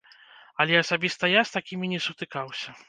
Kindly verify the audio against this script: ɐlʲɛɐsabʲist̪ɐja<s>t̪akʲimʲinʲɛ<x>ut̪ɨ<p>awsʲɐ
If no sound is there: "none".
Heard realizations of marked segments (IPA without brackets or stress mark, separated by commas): s, s, k